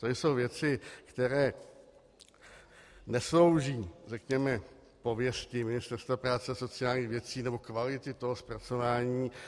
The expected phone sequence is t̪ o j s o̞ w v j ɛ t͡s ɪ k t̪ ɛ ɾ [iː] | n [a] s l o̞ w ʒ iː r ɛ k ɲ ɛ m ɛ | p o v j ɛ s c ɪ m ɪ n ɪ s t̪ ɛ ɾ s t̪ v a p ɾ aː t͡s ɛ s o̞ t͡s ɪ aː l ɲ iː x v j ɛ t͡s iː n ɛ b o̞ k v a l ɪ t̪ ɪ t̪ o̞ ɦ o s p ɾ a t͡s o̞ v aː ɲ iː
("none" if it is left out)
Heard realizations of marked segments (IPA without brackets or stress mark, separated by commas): ɛː, ɛ